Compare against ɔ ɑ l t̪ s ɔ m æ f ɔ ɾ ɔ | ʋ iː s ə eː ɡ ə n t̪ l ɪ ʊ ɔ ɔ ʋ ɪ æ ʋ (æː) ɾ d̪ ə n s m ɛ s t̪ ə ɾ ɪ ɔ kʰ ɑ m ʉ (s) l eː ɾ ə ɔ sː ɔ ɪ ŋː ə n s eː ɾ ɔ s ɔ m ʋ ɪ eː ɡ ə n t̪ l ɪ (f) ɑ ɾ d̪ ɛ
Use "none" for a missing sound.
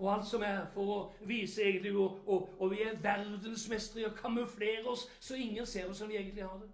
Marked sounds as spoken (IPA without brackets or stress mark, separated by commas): æ, f, h